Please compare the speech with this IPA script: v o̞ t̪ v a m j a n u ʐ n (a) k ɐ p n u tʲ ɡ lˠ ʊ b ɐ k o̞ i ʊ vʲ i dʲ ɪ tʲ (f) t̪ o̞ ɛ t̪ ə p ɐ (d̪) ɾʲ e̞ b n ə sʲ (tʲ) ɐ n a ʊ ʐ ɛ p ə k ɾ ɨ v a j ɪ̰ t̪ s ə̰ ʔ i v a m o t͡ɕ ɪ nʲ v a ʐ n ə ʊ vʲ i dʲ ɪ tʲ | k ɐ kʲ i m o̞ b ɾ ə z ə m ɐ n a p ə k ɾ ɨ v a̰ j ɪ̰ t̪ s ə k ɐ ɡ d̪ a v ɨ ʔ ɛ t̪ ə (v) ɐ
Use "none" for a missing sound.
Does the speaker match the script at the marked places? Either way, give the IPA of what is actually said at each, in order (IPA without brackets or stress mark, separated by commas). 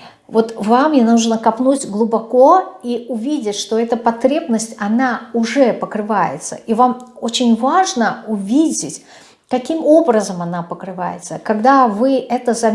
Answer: ə, ʂ, t̪, tʲ, z